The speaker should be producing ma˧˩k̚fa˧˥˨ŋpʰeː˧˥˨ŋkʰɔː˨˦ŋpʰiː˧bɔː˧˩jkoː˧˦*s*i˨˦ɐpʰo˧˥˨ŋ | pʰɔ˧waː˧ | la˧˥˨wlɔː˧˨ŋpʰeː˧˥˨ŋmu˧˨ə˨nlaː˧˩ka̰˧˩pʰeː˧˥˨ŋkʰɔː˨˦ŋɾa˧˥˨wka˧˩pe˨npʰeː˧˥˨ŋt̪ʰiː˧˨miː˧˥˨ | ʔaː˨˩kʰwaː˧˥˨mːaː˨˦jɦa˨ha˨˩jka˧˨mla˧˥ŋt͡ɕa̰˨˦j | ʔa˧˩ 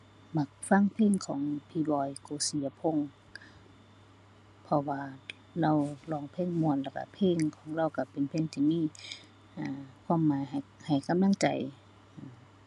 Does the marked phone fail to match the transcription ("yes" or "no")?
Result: no